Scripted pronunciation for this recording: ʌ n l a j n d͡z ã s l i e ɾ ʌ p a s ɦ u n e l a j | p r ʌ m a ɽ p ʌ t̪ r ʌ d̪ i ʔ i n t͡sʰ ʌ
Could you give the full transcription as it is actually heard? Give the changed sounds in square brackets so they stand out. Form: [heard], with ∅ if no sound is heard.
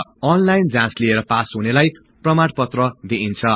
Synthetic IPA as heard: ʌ n l a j n d͡z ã s l i e ɾ ʌ p a s ɦ u n e l a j | p r ʌ m a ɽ p ʌ t̪ r ʌ d̪ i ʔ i n t͡sʰ ʌ